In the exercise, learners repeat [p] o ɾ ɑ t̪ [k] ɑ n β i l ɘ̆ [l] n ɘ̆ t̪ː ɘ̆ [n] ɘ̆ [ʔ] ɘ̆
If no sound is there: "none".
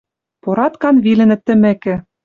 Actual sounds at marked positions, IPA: p, k, none, m, k

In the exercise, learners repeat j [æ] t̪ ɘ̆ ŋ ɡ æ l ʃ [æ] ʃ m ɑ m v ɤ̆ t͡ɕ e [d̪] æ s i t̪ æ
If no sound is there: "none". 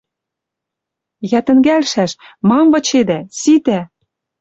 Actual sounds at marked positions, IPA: æ, æ, d̪

